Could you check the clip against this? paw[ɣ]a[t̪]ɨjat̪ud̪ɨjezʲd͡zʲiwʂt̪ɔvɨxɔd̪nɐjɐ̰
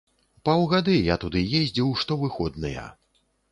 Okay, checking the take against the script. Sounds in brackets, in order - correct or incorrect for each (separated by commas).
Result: correct, incorrect